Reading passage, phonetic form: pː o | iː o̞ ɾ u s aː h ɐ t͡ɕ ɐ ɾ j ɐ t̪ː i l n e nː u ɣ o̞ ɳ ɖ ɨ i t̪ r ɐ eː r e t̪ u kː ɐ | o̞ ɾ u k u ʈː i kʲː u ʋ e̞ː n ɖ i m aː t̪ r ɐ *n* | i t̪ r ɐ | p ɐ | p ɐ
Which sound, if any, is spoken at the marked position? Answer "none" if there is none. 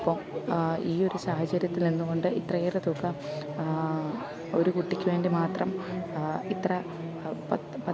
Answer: m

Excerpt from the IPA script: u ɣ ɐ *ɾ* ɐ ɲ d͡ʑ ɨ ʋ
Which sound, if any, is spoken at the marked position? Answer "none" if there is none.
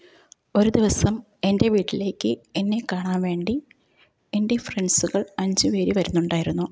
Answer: ɭ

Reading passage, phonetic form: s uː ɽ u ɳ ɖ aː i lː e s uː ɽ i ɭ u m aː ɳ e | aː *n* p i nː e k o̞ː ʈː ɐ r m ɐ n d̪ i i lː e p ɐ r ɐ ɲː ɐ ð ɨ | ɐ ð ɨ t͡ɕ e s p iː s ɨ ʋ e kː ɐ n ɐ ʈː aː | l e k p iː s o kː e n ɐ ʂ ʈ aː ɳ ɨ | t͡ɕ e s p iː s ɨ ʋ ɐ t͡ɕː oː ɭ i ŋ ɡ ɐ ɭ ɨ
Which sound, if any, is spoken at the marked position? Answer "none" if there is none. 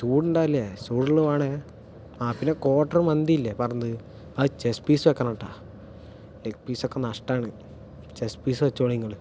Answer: none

